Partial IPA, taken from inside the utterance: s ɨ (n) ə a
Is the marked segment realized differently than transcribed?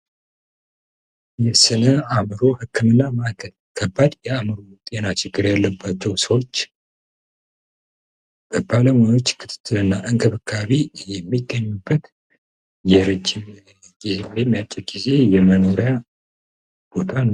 no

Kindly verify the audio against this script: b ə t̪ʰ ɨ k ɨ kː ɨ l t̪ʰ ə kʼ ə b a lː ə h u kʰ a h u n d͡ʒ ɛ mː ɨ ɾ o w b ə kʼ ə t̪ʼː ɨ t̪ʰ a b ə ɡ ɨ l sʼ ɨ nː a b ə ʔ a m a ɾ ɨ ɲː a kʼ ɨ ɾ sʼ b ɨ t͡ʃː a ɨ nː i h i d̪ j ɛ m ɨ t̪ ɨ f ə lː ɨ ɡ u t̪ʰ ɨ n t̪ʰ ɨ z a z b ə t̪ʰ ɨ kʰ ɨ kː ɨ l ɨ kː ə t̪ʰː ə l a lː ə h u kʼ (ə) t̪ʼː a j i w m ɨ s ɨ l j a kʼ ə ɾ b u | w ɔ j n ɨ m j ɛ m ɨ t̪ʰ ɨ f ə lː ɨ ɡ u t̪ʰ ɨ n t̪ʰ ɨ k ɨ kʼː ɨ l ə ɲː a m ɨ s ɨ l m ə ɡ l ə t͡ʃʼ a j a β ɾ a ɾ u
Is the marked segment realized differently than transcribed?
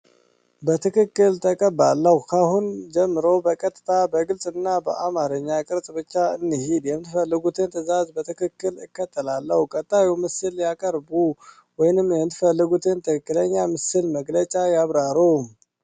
no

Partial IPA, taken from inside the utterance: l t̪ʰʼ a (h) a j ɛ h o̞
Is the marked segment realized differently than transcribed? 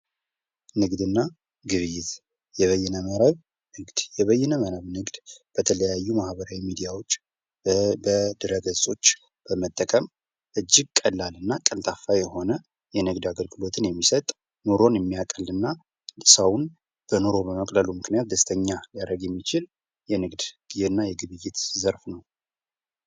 yes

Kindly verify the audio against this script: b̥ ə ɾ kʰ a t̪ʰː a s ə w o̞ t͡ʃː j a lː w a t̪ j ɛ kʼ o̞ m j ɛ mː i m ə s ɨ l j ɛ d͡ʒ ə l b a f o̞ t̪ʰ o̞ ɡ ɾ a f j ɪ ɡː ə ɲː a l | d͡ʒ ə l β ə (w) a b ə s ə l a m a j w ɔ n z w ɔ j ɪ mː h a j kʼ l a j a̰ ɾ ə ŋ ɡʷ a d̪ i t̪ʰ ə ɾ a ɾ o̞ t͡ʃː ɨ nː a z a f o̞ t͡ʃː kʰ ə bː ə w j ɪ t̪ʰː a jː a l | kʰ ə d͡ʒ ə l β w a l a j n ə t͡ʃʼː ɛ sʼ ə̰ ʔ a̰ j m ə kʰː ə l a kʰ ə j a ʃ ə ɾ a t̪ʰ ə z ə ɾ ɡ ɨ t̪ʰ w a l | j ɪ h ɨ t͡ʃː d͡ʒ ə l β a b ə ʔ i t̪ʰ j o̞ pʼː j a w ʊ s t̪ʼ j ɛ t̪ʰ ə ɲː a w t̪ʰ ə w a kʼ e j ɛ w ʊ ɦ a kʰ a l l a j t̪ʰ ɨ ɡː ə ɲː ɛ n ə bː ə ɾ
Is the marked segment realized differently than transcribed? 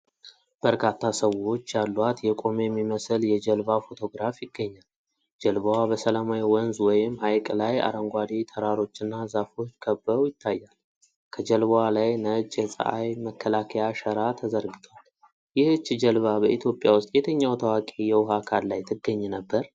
no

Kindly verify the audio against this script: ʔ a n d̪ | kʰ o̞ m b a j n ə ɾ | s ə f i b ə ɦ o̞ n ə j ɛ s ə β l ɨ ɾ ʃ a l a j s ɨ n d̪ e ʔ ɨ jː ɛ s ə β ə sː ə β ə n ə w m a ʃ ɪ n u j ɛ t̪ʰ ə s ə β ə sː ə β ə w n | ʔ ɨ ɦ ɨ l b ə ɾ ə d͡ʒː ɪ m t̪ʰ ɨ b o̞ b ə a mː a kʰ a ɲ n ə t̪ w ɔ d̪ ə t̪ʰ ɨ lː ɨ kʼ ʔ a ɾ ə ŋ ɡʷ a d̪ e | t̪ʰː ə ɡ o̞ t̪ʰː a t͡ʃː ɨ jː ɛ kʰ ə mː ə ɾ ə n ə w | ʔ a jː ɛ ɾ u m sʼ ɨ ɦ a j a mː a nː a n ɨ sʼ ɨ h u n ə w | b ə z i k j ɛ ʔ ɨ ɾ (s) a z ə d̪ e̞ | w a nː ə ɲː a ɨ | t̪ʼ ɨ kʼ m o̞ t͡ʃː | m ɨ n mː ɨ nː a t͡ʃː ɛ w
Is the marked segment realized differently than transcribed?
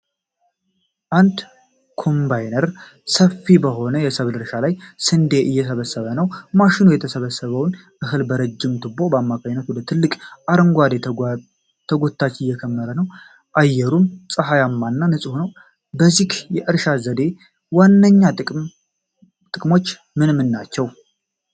yes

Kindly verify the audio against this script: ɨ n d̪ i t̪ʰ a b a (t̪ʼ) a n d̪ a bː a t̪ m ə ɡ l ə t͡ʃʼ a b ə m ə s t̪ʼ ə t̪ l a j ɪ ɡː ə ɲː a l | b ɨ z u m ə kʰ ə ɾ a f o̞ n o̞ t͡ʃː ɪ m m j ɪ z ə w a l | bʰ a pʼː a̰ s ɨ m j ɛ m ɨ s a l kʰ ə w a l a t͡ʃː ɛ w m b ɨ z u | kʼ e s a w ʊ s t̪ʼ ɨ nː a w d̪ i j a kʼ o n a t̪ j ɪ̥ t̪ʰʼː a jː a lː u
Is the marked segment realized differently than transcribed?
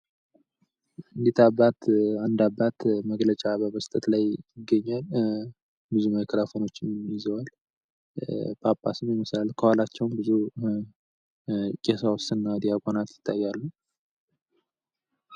yes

